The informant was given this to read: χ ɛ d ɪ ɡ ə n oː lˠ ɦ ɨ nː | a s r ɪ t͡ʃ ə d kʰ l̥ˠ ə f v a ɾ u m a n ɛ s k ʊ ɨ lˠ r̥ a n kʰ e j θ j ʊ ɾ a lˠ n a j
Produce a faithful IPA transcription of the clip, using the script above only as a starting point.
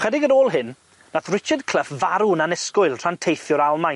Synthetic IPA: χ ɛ d ɪ ɡ ə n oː lˠ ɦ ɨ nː | a θ r ɪ t͡ʃ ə d kʰ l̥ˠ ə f v a ɾ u n a n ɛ s k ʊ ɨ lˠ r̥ a n tʰ e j θ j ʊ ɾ a lˠ m a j